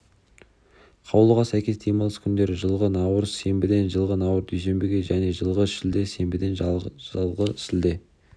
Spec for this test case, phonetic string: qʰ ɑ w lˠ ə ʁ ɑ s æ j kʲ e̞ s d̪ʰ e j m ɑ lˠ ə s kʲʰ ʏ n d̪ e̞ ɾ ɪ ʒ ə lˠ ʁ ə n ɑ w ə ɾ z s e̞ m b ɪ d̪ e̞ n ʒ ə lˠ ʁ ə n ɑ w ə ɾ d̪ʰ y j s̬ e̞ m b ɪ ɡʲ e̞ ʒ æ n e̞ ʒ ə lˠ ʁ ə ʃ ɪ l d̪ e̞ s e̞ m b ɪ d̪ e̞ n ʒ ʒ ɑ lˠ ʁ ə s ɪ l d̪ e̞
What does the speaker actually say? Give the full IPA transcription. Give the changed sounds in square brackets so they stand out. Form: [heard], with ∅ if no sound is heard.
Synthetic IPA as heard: qʰ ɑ w lˠ ə ʁ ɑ s æ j kʲ e̞ s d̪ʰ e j m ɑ lˠ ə s kʲʰ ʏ n d̪ e̞ ɾ ɪ ʒ ə lˠ ʁ ə n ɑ w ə ɾ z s e̞ m b ɪ d̪ e̞ n ʒ ə lˠ ʁ ə n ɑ w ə ɾ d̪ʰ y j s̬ e̞ m b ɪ ɡʲ e̞ ʒ æ n e̞ ʒ ə lˠ ʁ ə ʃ ɪ l d̪ e̞ s e̞ m b ɪ d̪ e̞ n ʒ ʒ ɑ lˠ ʁ ə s ɪ l d̪ e̞